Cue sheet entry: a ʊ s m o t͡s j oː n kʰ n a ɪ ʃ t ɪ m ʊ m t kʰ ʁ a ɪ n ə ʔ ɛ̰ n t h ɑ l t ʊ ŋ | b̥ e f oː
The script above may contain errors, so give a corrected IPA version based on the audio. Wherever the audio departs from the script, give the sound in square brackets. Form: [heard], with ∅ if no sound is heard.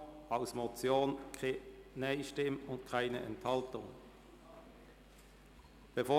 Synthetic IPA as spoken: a ʊ s m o t͡s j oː n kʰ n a ɪ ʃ t ɪ m ʊ [n] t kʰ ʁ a ɪ n ə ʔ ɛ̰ n t h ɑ l t ʊ ŋ | b̥ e f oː